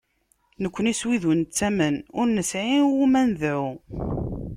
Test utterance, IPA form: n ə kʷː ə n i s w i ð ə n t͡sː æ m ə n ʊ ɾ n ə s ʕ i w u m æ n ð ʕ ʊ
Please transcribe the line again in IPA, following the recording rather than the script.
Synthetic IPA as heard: n ə kʷː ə n i s w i ð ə n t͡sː æ m ə n ʊ ɾ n ə s ʕ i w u m æ n ð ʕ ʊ